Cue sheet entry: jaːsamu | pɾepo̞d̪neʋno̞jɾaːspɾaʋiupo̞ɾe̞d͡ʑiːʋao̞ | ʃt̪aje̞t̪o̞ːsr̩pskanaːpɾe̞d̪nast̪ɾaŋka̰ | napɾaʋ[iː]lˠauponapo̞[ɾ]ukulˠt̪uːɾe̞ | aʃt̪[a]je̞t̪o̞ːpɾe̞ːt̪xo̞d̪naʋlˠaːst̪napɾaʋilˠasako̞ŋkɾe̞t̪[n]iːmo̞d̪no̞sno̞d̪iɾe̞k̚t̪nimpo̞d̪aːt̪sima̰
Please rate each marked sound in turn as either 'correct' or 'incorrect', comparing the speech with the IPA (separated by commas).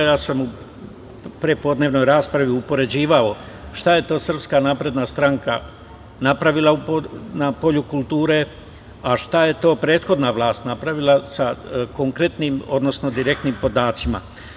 incorrect, incorrect, correct, correct